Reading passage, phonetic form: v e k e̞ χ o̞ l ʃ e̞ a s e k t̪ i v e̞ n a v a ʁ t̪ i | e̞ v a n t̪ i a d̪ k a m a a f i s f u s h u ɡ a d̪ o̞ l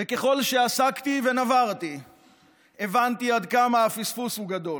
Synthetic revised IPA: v e k e̞ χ o̞ l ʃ e̞ a s a k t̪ i v e̞ n a v a ʁ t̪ i | e̞ v a n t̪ i a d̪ k a m a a f i s f u s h u ɡ a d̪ o̞ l